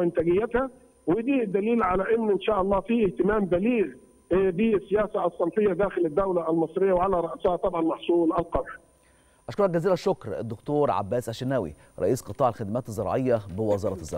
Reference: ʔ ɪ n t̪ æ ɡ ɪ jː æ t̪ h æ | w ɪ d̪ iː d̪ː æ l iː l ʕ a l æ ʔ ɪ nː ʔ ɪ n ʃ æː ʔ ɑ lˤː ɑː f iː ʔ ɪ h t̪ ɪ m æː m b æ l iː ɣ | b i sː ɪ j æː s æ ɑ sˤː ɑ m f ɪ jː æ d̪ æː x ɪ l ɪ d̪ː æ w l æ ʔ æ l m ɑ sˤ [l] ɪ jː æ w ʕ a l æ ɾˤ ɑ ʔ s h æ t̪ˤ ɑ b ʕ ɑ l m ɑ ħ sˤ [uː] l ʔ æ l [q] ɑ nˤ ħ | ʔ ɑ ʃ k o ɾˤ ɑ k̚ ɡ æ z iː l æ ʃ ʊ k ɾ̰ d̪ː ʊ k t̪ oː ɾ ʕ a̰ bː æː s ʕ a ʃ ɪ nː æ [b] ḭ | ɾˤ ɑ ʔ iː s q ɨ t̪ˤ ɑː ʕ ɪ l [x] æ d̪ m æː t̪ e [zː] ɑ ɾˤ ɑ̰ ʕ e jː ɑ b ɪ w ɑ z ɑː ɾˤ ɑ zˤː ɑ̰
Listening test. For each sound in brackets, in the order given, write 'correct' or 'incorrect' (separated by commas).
incorrect, correct, correct, incorrect, correct, correct